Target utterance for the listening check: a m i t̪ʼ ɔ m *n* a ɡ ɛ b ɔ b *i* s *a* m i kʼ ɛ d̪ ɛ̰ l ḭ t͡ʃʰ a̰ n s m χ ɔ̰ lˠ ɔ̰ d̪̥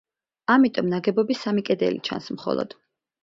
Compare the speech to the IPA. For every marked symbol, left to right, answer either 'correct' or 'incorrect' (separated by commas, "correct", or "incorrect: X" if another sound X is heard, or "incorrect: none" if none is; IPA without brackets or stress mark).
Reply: correct, correct, correct